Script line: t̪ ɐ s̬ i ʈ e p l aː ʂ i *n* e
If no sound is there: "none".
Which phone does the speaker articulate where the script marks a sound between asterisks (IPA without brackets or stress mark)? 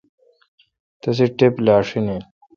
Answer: n